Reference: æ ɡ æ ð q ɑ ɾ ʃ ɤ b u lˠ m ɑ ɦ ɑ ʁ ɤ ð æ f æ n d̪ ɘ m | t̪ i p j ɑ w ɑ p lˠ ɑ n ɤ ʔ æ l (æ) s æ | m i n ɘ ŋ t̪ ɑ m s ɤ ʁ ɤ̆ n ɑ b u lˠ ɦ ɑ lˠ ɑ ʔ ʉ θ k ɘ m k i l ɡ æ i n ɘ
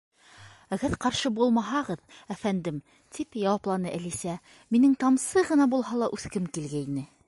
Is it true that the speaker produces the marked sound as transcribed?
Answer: no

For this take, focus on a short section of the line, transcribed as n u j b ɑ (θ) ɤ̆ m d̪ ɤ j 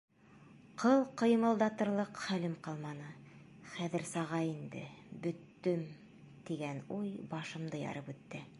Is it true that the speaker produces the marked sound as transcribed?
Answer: no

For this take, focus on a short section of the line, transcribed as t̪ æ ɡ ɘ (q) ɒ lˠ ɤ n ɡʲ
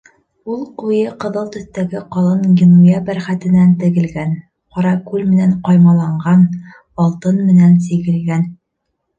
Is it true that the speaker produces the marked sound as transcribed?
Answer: yes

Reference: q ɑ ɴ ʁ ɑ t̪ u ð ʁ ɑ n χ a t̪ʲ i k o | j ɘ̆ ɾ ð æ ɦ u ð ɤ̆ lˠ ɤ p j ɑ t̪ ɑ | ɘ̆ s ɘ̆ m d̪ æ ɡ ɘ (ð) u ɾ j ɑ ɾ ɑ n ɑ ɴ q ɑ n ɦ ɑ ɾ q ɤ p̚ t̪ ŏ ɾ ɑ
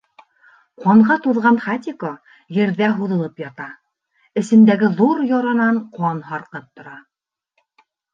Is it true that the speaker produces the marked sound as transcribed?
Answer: yes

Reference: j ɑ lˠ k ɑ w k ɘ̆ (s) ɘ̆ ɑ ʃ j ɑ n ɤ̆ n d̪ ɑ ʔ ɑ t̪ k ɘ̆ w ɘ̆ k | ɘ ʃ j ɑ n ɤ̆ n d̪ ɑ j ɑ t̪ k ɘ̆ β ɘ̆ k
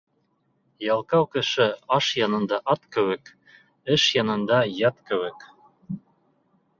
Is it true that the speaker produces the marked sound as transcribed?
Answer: no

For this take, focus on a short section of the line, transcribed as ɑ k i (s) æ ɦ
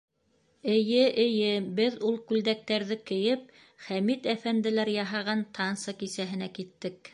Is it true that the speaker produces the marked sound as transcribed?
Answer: yes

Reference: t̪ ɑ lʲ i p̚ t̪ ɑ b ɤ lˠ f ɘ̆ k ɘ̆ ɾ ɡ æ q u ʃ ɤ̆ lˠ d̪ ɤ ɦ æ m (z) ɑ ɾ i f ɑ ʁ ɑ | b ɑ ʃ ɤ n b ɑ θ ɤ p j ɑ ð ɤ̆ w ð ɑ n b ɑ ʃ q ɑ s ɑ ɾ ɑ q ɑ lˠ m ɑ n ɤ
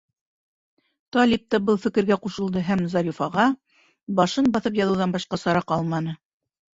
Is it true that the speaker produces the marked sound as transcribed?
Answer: yes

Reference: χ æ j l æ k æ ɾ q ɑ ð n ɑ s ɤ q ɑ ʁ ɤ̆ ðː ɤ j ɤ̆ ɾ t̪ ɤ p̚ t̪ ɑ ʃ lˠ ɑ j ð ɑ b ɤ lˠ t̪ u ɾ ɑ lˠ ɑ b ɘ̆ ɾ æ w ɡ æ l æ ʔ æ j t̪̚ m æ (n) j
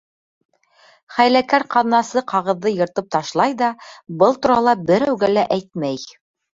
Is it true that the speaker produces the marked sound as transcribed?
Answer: no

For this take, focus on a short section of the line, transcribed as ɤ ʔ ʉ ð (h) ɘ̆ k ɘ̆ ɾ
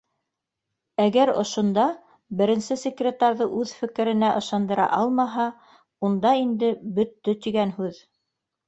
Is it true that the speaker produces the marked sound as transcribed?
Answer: no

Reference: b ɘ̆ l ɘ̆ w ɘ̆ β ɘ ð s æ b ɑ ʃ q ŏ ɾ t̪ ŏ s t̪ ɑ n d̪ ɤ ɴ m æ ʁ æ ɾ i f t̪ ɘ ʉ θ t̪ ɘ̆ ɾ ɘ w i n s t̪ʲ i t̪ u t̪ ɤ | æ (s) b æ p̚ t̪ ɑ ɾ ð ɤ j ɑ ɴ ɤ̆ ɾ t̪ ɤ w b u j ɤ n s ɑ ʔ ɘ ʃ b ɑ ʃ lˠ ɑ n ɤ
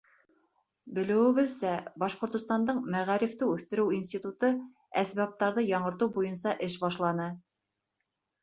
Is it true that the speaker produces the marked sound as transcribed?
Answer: yes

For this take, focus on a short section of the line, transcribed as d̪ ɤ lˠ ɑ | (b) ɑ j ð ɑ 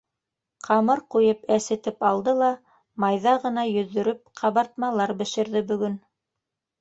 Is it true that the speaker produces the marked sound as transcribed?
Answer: no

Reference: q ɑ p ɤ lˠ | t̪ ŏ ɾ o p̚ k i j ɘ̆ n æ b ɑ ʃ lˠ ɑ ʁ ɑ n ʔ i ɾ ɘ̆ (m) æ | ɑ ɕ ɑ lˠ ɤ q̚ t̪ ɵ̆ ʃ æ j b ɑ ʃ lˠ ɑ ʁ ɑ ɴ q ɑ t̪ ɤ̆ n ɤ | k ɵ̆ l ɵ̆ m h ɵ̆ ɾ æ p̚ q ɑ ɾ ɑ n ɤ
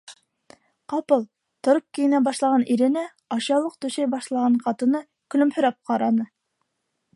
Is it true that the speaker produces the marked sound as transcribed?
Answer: no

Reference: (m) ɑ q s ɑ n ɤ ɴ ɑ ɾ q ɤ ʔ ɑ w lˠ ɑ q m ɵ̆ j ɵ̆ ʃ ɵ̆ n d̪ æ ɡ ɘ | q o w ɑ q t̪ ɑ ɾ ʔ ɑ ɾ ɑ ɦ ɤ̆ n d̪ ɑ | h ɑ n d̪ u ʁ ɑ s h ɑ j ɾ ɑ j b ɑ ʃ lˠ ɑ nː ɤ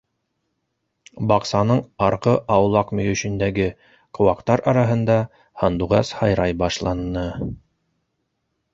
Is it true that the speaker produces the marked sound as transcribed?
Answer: no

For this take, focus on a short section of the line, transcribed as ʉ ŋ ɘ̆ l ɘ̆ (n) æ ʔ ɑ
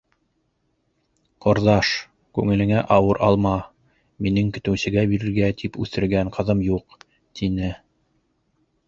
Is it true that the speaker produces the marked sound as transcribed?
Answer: no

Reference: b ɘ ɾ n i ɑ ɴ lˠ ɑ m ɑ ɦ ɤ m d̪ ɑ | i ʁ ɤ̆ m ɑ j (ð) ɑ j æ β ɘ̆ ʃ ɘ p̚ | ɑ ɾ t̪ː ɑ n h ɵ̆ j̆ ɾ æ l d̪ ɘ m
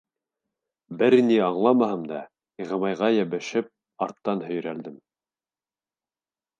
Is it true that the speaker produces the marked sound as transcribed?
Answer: no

